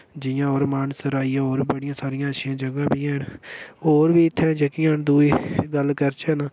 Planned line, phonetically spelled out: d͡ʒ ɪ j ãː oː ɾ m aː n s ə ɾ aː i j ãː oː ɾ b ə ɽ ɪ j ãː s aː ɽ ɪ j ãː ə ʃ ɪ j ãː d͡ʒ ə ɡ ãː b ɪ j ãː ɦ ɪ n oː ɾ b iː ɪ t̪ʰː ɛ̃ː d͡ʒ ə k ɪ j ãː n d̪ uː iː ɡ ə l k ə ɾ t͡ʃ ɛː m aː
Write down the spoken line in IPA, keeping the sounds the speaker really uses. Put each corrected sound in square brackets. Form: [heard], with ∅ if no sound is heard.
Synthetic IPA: d͡ʒ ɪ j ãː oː ɾ m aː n s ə ɾ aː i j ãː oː ɾ b ə ɽ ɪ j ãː s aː [ɾ] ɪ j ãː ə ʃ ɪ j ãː d͡ʒ ə ɡ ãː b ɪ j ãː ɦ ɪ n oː ɾ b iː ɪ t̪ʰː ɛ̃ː d͡ʒ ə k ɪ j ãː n d̪ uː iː ɡ ə l k ə ɾ t͡ʃ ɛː [n] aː